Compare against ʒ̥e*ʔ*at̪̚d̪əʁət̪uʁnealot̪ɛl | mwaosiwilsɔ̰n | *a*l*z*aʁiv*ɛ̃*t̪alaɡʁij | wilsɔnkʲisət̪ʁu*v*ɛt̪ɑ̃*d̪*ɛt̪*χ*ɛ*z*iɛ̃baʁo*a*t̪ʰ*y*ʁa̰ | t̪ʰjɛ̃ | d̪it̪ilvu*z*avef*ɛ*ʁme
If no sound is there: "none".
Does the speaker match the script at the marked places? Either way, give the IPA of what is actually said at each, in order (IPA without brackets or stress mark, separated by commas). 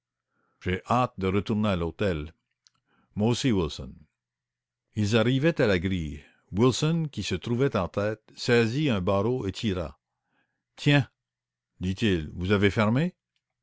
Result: ʔ, i, z, ɛ, v, t̪, s, z, e, i, z, ɛ